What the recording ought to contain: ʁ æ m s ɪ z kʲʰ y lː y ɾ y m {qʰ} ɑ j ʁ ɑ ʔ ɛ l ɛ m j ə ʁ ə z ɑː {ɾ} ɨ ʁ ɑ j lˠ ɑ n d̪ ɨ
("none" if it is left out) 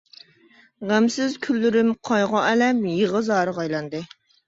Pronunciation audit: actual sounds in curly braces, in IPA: qʰ, ɾ

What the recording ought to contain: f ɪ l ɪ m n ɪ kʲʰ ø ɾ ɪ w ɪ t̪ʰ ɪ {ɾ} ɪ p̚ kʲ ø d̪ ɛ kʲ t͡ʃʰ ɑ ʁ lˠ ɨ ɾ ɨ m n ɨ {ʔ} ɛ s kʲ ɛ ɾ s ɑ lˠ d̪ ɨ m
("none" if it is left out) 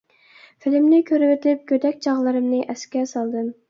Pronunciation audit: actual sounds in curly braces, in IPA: l, ʔ

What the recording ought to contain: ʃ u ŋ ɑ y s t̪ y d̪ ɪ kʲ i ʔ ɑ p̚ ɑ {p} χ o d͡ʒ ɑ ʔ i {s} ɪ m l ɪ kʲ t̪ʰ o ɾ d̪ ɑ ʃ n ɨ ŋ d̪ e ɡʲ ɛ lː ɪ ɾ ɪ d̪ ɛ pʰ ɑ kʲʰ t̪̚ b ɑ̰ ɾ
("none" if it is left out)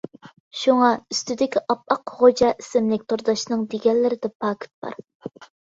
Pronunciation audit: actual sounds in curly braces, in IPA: q, s

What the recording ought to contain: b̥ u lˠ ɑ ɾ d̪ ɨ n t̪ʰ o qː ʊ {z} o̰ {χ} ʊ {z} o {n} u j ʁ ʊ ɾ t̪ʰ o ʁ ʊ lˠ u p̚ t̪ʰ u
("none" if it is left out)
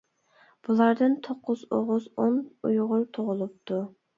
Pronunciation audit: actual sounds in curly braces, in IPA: z, ʁ, z, n

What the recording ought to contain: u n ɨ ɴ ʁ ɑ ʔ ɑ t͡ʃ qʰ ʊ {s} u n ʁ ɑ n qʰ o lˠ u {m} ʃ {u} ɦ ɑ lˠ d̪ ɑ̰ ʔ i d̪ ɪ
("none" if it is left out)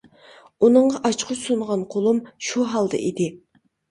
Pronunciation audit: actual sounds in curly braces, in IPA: s, m, u

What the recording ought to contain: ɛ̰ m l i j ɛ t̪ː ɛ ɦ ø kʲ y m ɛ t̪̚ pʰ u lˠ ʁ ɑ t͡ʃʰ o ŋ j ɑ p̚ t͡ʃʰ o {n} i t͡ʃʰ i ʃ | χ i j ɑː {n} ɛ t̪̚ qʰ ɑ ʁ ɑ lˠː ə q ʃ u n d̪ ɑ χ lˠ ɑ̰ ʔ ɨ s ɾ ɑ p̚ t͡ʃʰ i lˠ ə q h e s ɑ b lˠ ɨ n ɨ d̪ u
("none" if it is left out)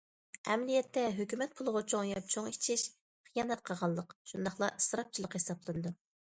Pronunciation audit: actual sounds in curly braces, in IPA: ŋ, n

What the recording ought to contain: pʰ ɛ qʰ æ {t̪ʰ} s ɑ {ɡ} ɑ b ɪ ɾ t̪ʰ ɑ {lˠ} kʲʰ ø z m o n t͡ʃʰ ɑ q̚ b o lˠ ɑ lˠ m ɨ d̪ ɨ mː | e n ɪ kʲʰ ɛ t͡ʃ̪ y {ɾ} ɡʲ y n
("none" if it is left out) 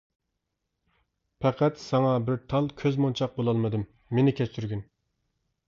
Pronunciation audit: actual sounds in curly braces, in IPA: t̪, ŋ, lˠ, ɾ

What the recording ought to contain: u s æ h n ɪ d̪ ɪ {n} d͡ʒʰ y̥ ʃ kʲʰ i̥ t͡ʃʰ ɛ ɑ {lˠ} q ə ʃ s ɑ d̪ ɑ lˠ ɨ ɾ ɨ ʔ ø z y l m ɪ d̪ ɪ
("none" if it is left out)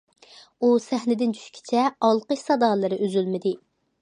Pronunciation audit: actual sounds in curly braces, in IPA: n, lˠ

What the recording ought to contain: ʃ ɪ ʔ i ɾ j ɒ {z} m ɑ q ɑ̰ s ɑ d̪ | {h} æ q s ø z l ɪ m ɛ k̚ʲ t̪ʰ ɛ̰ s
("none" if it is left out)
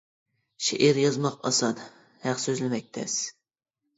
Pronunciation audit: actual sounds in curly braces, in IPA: z, h

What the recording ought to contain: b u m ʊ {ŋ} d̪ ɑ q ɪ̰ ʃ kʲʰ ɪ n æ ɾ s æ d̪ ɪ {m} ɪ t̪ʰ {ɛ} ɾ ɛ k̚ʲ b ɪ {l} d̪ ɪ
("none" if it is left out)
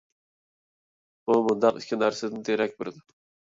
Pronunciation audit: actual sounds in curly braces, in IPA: n, n, e, ɾ

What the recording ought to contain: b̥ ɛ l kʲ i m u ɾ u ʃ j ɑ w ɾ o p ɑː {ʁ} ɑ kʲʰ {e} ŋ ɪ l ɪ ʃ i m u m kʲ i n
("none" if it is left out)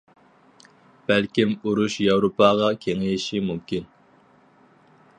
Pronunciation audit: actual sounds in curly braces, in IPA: ʁ, e

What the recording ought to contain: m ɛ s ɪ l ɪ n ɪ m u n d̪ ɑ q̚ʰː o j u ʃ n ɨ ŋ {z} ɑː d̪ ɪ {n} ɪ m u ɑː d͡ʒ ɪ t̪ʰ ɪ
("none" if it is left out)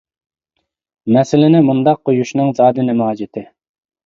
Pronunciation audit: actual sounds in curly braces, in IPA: z, n

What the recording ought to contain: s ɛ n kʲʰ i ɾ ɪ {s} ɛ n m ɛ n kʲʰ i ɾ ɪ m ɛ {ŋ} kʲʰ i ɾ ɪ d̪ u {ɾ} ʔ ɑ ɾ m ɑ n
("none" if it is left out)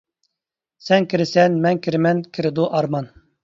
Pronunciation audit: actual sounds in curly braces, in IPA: s, n, none

